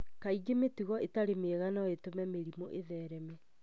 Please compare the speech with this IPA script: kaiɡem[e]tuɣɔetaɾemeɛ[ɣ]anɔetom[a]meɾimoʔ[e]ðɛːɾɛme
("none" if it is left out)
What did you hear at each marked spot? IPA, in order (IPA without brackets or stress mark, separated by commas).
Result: e, ɣ, ɛ, e